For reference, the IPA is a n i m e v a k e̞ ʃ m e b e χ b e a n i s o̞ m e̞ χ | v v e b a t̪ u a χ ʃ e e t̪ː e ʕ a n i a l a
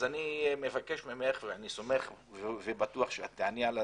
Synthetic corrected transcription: a n i m e v a k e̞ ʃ m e m e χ v e a n i s o̞ m e̞ χ | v v e b a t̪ u a χ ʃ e a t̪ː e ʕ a n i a l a